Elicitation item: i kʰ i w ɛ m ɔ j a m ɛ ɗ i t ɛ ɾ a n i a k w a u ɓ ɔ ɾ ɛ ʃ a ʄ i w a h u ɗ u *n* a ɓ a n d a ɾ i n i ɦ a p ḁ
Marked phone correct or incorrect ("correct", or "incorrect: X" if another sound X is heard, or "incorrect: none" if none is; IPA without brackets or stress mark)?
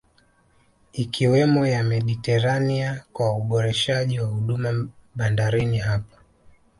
incorrect: m